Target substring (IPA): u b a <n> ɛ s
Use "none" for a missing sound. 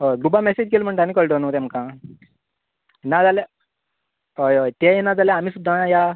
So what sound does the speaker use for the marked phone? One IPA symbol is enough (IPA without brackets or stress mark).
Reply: m